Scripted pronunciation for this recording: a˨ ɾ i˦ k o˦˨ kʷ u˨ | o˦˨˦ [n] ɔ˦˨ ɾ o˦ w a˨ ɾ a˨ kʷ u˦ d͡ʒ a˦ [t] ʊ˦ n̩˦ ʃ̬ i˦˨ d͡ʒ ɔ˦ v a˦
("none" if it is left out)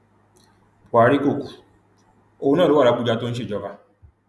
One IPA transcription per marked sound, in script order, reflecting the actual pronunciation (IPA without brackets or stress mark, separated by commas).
n, t